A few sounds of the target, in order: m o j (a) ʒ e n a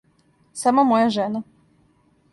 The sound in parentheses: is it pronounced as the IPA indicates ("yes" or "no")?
yes